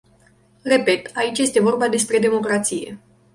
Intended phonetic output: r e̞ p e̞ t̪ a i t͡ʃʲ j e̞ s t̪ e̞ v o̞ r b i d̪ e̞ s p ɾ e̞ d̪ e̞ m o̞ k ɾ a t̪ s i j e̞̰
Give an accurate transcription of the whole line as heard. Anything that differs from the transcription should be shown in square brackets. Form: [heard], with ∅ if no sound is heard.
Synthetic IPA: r e̞ p e̞ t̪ a i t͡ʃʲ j e̞ s t̪ e̞ v o̞ r b [a] d̪ e̞ s p ɾ e̞ d̪ e̞ m o̞ k ɾ a t̪ s i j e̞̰